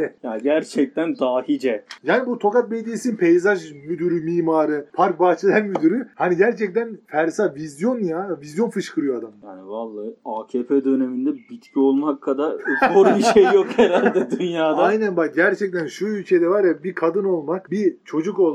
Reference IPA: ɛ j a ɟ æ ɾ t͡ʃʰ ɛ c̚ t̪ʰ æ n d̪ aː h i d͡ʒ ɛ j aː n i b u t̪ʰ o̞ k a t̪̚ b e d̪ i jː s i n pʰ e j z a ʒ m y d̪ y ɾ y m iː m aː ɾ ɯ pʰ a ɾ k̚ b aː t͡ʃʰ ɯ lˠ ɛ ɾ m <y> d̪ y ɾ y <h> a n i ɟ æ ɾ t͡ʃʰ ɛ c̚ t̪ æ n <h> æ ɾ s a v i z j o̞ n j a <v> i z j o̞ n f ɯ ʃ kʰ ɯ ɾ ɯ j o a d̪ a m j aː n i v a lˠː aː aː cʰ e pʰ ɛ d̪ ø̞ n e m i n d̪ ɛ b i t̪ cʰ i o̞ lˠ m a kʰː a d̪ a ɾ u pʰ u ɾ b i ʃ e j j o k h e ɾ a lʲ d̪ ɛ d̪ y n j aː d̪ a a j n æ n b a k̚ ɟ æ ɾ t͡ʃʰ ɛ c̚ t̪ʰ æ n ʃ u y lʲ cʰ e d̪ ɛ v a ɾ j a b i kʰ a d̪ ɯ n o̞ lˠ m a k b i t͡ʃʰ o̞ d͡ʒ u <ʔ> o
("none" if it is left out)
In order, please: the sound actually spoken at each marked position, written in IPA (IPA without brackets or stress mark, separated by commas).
y, h, f, v, k